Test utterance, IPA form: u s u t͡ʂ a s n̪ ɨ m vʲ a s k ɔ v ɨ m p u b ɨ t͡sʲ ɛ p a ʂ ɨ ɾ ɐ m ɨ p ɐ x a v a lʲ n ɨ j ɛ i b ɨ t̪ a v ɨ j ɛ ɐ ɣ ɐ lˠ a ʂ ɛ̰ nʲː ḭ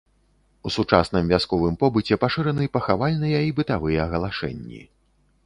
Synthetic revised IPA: u s u t͡ʂ a s n̪ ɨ m vʲ a s k ɔ v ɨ m p ɔ b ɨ t͡sʲ ɛ p a ʂ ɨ ɾ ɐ n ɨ p ɐ x a v a lʲ n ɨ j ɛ i b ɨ t̪ a v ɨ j ɛ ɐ ɣ ɐ lˠ a ʂ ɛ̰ nʲː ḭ